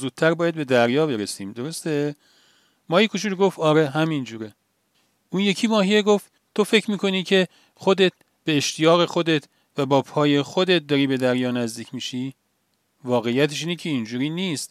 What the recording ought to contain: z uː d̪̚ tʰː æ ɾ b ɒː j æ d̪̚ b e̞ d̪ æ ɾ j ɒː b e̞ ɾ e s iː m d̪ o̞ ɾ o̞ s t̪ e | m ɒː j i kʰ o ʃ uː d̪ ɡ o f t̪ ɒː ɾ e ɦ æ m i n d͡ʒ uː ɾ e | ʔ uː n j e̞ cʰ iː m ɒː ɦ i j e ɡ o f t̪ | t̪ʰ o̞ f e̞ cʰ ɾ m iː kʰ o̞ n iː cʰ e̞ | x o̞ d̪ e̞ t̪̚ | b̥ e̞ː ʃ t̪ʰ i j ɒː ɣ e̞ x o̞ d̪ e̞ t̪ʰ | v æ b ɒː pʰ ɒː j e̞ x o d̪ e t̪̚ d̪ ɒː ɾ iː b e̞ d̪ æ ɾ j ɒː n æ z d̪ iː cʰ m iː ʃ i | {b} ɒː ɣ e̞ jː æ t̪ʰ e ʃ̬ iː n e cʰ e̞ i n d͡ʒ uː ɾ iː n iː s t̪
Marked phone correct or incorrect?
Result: incorrect